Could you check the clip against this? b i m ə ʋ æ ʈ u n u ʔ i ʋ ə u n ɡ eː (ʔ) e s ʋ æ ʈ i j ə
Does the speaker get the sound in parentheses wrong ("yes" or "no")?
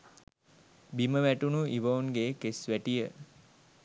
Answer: yes